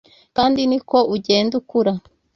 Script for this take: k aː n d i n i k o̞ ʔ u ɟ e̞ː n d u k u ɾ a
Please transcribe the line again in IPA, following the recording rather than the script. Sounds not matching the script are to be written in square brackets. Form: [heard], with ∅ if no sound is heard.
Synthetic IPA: k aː n d i n i k o̞ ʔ u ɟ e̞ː n d u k u ɾ a